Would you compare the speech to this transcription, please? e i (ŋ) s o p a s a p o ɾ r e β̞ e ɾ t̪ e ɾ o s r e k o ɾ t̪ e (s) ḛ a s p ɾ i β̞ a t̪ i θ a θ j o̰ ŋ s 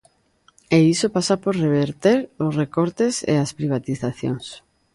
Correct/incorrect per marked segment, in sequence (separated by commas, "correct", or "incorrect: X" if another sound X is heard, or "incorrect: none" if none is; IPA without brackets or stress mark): incorrect: none, correct